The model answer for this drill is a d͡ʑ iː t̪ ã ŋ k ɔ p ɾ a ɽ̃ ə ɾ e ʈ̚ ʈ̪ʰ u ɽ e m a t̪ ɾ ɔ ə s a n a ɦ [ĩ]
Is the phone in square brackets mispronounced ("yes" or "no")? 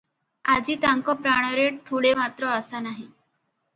yes